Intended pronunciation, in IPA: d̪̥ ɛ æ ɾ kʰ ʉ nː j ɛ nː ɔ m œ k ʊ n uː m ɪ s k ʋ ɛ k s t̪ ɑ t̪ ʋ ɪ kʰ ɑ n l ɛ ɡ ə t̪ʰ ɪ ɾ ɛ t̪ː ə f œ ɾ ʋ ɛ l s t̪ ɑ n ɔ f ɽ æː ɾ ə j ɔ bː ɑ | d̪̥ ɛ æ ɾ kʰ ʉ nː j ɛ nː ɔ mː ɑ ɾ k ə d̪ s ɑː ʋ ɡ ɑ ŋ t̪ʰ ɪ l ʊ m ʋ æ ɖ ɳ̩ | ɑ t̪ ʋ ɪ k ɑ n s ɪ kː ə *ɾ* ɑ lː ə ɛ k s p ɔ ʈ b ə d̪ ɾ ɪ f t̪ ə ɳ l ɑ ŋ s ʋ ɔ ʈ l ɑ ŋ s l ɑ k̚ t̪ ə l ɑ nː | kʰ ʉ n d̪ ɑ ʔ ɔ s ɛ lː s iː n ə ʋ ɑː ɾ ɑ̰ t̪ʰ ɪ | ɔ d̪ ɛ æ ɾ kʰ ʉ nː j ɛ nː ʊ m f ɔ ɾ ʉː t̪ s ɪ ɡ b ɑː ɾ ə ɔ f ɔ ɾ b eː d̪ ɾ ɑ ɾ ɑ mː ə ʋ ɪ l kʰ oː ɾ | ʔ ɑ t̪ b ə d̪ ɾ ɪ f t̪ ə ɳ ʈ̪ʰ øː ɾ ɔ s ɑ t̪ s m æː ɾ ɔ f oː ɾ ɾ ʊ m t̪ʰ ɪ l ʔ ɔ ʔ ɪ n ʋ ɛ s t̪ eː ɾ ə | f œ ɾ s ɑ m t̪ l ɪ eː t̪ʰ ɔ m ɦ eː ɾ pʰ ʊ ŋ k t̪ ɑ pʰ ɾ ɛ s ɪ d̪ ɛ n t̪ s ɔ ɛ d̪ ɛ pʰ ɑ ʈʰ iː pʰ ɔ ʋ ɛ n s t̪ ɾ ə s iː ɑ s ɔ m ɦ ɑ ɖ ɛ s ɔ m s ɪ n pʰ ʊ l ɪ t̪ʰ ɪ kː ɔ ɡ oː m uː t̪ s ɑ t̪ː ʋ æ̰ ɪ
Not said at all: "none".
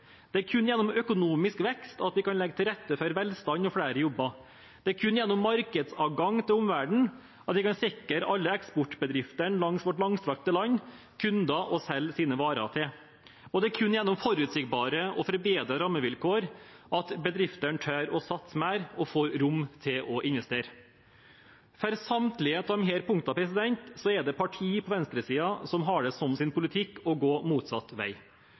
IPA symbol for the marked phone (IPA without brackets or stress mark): ɾ